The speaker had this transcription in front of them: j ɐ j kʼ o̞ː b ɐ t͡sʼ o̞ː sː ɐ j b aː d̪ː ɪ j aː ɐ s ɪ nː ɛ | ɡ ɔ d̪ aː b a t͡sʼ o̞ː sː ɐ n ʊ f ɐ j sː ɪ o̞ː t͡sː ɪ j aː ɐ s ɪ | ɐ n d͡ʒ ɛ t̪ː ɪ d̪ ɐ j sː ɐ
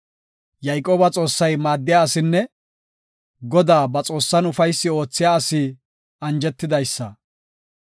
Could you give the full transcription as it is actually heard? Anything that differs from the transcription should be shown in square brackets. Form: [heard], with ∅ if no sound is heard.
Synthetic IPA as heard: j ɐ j kʼ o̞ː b ɐ t͡sʼ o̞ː sː ɐ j [m] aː d̪ː ɪ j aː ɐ s ɪ nː ɛ | ɡ ɔ d̪ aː b [ɐ] t͡sʼ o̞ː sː ɐ n ʊ f ɐ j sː ɪ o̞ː t͡sː ɪ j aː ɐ s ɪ | ɐ n d͡ʒ ɛ t̪ː ɪ d̪ ɐ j sː ɐ